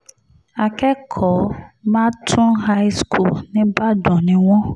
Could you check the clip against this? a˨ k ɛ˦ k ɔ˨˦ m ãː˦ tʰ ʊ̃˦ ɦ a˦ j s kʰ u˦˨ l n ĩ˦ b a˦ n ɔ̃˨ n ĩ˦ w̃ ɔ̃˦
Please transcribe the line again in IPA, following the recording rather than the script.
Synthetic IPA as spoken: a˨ k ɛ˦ kʰ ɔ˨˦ m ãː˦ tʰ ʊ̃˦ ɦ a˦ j s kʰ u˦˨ l n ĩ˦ b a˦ d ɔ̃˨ n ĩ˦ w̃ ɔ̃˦